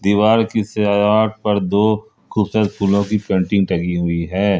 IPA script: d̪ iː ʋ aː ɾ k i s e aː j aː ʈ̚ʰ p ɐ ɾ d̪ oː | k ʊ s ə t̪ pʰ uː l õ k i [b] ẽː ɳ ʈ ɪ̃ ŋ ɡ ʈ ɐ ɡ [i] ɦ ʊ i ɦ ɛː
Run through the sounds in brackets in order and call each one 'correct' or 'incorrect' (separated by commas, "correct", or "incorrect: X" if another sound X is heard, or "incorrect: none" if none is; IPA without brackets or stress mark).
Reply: incorrect: p, correct